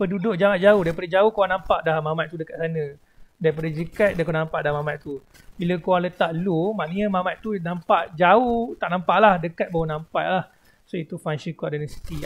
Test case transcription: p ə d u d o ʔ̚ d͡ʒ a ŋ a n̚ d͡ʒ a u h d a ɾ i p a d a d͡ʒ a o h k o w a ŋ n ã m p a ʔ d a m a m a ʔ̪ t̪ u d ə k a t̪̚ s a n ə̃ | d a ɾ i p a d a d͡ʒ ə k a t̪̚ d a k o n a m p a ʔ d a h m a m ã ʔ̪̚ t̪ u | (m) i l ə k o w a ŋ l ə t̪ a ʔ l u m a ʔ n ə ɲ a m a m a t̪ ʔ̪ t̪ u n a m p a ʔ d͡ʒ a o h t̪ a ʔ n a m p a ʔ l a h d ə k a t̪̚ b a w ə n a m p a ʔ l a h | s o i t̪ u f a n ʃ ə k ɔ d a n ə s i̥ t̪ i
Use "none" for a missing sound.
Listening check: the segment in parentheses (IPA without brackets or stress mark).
b